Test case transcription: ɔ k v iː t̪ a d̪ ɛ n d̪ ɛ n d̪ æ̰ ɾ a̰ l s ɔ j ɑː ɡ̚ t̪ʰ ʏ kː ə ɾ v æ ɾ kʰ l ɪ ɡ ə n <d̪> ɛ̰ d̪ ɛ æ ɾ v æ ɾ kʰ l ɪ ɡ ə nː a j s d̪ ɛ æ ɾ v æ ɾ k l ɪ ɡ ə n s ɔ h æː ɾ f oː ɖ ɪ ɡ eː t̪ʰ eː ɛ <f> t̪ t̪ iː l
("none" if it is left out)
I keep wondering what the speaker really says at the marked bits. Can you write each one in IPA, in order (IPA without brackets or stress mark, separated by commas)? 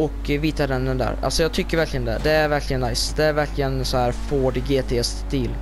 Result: d̪, s